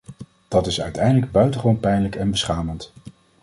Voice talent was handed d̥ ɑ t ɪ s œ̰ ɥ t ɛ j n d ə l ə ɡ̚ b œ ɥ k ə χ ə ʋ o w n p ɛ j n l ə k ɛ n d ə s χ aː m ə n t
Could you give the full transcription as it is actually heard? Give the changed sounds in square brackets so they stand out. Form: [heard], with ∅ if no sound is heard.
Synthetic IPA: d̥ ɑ t ɪ s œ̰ ɥ t ɛ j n d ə l ə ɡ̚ b œ ɥ [t] ə χ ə ʋ o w n p ɛ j n l ə k ɛ n [b] ə s χ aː m ə n t